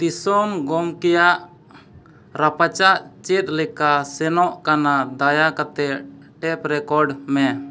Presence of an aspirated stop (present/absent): absent